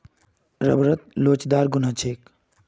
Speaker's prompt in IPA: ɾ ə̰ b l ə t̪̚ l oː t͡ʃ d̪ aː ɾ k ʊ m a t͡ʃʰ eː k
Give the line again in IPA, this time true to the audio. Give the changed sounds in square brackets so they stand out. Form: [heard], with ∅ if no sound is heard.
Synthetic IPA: ɾ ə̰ b [ɾ] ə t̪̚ l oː t͡ʃ d̪ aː ɾ [ɡ] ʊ [n] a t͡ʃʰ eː k